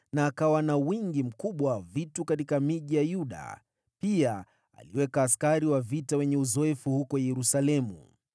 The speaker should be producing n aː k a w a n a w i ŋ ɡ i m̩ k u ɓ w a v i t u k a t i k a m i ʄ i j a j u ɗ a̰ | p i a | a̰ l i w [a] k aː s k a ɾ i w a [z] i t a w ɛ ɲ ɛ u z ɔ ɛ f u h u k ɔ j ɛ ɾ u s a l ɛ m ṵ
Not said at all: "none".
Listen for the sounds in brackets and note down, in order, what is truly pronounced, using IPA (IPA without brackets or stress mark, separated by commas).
ɛ, v